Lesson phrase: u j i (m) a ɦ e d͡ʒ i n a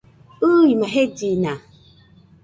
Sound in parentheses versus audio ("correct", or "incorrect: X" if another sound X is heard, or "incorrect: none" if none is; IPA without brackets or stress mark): correct